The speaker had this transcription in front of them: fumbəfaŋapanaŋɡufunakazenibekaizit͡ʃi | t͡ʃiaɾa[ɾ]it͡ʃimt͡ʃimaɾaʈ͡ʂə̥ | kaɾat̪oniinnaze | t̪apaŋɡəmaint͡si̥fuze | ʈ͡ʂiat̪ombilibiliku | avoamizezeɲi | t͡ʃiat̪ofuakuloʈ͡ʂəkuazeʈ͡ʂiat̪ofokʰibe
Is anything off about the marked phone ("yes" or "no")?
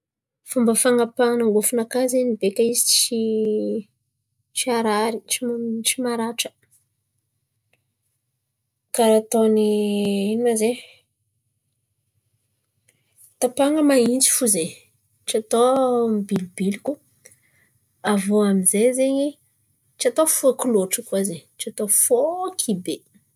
no